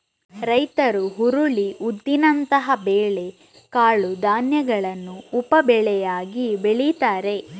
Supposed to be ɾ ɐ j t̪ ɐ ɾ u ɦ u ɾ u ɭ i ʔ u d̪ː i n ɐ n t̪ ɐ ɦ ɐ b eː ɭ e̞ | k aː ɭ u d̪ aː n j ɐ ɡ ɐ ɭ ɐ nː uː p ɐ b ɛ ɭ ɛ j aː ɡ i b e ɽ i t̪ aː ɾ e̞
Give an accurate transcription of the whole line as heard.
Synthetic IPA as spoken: ɾ ɐ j t̪ ɐ ɾ u ɦ u ɾ u ɭ i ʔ u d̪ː i n ɐ n t̪ ɐ ɦ ɐ b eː ɭ e̞ | k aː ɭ u d̪ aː n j ɐ ɡ ɐ ɭ ɐ nː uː p ɐ b ɛ ɭ ɛ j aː ɡ i b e ɭ i t̪ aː ɾ e̞